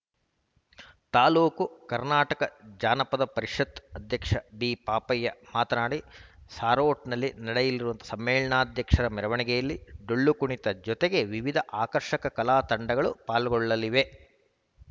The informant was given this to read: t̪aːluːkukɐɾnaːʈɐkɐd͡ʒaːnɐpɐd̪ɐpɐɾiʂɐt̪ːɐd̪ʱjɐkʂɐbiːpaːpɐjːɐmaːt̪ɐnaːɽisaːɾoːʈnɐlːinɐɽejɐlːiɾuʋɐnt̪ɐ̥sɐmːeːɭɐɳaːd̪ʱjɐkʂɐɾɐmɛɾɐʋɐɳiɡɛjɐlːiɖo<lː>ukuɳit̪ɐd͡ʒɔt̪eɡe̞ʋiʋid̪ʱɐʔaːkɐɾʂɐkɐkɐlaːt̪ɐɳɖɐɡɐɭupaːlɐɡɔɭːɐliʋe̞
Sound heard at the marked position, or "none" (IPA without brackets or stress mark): ɭː